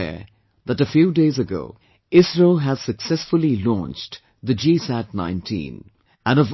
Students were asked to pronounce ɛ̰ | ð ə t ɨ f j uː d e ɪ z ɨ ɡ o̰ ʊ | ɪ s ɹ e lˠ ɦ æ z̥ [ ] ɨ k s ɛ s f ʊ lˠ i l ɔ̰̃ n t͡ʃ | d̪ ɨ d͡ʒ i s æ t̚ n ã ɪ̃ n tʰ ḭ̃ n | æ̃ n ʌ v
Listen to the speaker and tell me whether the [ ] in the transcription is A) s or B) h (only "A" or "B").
A